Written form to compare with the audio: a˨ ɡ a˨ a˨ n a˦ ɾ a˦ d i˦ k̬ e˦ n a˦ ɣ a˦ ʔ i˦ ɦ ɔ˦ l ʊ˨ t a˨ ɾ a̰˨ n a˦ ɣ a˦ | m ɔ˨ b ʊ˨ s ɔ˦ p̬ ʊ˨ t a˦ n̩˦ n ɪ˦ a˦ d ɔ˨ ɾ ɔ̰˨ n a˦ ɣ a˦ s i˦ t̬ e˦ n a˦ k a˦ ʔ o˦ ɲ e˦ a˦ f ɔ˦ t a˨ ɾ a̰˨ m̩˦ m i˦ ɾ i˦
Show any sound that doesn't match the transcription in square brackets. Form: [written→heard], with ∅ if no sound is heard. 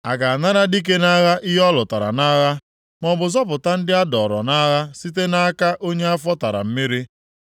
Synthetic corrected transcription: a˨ ɡ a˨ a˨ n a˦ ɾ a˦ d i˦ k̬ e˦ n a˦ ɣ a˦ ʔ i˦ ɦ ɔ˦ l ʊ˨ t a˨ ɾ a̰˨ n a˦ ɣ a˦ | m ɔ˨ b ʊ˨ [s→z] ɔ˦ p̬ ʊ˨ t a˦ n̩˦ [n→d] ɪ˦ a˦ d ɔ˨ ɾ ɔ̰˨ n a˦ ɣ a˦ s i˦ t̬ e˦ n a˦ k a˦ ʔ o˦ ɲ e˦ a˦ f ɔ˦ t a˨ ɾ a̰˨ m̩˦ m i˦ ɾ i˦

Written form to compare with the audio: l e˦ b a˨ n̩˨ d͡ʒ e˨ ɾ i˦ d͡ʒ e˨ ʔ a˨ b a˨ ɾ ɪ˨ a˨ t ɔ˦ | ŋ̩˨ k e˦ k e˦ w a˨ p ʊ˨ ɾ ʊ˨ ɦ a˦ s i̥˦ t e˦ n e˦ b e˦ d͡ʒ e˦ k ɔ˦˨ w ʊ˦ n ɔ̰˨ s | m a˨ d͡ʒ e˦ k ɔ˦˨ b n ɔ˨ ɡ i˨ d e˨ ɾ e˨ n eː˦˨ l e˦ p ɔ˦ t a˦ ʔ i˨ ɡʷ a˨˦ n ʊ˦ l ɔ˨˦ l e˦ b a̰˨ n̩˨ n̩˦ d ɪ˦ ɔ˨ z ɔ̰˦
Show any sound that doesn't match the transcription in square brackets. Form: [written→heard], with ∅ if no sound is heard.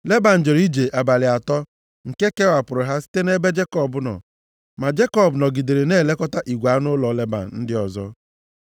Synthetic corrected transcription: l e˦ b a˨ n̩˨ d͡ʒ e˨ ɾ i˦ d͡ʒ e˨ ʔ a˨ b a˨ [ɾ→l] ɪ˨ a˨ t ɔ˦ | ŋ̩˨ k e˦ k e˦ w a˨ p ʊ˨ ɾ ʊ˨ ɦ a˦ s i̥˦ t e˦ n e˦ b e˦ d͡ʒ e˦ k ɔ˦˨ [w→b] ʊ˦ n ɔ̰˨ [s→∅] | m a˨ d͡ʒ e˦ k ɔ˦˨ b n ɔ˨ ɡ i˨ d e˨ ɾ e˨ n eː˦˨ l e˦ [p→k] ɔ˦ t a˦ ʔ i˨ ɡʷ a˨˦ n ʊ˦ l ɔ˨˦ l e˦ b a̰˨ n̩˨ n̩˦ d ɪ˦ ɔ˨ z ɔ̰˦

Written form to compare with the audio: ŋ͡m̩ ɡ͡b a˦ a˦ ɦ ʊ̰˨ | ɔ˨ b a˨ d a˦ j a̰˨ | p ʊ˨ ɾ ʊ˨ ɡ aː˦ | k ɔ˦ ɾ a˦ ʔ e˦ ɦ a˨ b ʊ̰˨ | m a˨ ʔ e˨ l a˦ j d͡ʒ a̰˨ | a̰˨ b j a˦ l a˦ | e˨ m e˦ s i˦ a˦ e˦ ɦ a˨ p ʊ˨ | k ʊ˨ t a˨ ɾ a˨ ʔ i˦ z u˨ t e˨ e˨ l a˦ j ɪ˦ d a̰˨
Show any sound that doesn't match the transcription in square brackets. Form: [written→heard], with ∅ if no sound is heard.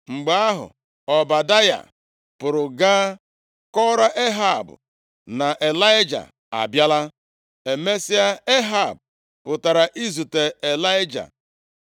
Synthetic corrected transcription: ŋ͡m̩ ɡ͡b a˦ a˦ ɦ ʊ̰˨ | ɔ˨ b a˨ d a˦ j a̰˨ | p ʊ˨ ɾ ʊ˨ ɡ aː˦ | k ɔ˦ ɾ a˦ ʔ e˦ ɦ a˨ b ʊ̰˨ | [m→n] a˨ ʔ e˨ l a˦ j d͡ʒ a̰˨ | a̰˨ b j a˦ l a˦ | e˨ m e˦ s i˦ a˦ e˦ ɦ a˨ [p→b] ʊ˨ | [k→p] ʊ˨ t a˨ ɾ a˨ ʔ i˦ z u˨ t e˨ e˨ l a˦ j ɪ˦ [d→d͡ʒ] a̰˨

